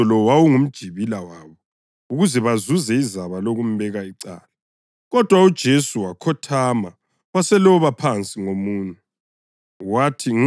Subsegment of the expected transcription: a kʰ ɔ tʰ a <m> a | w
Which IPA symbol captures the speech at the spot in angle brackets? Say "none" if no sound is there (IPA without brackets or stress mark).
m